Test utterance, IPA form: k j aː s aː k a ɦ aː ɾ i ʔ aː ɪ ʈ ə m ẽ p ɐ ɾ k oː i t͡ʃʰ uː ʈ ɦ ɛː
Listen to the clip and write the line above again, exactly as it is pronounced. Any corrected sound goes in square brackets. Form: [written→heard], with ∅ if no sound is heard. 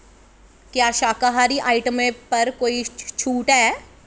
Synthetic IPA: k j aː [s→ʃ] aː k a ɦ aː ɾ i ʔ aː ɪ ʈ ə m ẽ p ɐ ɾ k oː i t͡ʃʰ uː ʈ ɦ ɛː